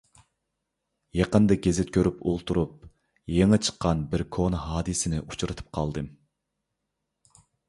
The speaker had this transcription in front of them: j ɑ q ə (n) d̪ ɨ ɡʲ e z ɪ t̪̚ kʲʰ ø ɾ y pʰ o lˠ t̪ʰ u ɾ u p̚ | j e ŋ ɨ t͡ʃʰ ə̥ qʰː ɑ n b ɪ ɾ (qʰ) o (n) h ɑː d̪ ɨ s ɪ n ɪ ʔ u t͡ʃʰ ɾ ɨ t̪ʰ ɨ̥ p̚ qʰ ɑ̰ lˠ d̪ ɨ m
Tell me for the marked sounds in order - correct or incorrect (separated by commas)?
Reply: correct, incorrect, correct